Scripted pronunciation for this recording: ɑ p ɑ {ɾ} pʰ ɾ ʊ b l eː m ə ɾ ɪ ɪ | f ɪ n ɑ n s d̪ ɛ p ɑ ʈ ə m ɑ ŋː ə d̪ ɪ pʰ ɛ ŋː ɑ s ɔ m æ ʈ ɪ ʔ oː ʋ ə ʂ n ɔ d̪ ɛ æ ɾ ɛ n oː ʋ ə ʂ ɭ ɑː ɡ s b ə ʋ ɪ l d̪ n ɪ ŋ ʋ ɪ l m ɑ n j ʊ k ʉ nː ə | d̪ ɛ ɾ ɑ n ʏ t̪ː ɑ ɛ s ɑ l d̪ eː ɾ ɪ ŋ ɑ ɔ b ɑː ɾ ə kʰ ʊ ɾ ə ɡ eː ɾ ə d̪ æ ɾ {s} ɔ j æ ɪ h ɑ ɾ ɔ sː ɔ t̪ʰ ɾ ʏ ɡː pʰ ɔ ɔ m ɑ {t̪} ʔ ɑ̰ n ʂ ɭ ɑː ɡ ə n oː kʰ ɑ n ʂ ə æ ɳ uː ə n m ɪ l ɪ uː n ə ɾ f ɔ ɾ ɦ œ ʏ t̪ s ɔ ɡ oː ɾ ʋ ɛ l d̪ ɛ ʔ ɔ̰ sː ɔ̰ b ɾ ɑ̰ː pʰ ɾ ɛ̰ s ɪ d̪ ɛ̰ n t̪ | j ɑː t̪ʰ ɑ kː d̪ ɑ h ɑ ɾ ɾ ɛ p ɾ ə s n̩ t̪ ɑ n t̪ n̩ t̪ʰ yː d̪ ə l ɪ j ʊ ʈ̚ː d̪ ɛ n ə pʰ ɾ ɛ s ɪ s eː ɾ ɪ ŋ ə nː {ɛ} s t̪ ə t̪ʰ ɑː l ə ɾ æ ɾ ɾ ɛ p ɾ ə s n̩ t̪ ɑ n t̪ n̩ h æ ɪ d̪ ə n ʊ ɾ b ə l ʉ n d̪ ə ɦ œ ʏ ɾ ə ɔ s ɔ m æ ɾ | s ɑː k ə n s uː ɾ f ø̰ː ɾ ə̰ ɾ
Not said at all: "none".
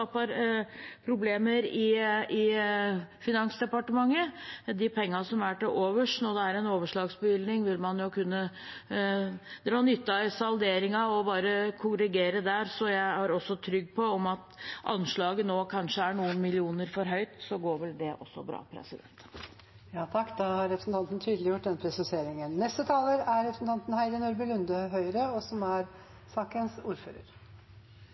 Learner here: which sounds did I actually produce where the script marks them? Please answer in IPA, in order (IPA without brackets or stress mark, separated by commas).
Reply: ɾ, s, t̪, ɛ